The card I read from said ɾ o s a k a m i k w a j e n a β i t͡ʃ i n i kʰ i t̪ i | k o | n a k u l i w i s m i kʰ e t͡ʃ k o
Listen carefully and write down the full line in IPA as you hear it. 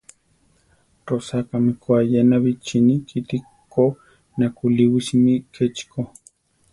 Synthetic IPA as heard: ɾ o s a k a m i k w a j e n a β i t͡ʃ i n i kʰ i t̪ i | k o | n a k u l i w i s m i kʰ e t͡ʃ k o